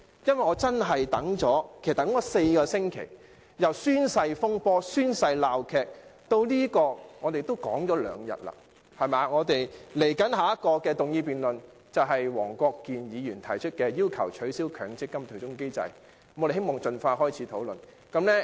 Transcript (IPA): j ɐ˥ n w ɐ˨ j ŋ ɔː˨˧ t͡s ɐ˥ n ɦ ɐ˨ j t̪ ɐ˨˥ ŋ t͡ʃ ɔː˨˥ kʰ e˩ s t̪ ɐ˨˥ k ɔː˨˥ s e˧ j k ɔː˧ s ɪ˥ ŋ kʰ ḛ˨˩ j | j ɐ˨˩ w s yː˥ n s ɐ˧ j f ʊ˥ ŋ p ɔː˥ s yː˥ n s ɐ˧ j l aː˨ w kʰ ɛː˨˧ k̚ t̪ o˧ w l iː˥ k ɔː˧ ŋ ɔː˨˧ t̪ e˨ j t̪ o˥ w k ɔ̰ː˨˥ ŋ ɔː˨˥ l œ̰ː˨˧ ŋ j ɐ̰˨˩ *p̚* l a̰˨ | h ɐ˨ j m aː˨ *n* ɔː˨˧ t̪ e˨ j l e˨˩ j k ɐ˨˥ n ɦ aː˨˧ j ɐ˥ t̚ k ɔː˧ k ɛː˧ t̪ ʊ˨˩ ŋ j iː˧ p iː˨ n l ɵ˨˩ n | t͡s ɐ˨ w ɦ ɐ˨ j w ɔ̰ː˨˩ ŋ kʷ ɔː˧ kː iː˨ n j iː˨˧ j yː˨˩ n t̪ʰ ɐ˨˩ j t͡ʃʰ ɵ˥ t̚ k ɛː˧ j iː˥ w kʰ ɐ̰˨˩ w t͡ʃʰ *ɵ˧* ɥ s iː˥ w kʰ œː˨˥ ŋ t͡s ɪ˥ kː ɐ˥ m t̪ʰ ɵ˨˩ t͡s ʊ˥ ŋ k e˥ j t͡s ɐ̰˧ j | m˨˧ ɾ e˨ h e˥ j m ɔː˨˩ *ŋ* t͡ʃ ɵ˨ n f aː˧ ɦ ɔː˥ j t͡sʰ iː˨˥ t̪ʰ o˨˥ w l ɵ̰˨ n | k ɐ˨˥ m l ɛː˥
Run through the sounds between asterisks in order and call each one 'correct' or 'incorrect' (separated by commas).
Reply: incorrect, incorrect, incorrect, correct